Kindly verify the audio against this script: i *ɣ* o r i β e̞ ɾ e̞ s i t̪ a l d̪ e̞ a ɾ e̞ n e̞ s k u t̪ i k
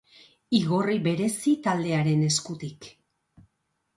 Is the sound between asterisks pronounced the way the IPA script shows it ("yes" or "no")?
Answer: yes